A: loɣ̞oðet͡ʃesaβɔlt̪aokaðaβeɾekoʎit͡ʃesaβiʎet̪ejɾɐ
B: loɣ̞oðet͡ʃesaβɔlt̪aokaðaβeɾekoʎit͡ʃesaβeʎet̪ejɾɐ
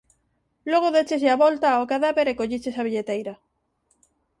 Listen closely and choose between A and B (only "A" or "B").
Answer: A